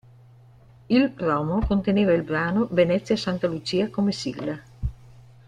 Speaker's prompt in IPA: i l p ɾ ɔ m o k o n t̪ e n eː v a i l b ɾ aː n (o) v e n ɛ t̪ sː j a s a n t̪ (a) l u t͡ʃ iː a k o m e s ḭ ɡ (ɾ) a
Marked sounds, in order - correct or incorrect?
correct, correct, incorrect

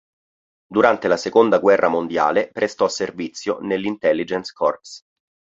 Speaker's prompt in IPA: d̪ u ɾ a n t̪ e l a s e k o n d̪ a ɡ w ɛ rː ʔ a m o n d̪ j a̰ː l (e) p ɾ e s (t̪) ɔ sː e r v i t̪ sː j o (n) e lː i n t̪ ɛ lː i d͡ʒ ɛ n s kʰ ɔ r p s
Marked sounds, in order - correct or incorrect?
correct, correct, correct

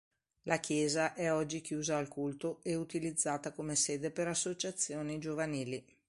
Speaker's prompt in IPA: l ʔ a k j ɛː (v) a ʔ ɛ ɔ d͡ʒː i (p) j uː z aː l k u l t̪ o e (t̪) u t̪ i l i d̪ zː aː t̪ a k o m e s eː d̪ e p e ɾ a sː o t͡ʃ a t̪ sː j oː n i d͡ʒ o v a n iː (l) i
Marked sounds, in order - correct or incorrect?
incorrect, incorrect, incorrect, correct

